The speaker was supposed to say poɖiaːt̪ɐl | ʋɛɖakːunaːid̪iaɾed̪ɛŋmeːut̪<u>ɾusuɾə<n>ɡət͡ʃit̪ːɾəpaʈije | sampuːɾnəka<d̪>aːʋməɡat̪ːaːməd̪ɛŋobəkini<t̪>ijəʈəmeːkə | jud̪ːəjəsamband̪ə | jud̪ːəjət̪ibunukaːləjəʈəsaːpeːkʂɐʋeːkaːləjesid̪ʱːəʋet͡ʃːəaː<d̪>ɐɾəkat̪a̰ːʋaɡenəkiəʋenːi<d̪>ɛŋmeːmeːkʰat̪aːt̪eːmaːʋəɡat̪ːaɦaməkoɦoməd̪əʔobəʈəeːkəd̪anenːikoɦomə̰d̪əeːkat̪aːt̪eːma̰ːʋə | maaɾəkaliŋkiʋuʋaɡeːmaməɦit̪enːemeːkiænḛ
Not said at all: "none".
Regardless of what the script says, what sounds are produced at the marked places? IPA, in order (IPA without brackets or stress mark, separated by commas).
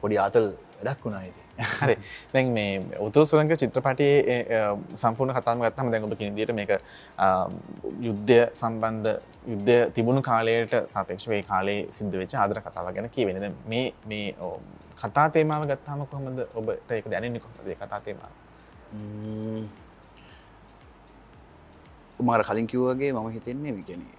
u, ŋ, t̪, d̪, d̪, d̪